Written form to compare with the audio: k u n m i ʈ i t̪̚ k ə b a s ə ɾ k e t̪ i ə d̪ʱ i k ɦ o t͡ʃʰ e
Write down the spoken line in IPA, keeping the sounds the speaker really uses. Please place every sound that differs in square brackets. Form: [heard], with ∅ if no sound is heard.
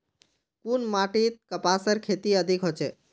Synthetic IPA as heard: k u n m [a] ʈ i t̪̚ k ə [p] a s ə ɾ [kʰ] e t̪ i ə d̪ʱ i k ɦ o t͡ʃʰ e